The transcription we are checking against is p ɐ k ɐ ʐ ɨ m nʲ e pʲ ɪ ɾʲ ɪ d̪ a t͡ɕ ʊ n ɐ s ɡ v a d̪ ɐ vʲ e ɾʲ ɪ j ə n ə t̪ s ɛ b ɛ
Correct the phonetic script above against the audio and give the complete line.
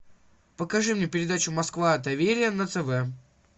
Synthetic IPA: p ə k ɐ ʐ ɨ m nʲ e pʲ ɪ ɾʲ ɪ d̪ a t͡ɕ ʊ m ɐ s k v a d̪ ɐ vʲ e ɾʲ ɪ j ə n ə t̪ s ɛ v ɛ